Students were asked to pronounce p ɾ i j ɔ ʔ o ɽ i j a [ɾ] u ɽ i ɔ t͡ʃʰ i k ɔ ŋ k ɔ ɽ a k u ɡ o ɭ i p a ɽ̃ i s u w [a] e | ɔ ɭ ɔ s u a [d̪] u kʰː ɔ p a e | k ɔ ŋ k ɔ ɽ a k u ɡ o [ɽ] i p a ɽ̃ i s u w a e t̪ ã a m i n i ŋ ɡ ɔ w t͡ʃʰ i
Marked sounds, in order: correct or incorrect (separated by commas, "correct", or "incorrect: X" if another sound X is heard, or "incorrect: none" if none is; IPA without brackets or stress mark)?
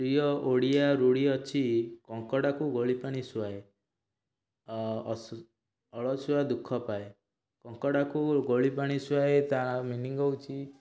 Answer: correct, correct, correct, incorrect: ɭ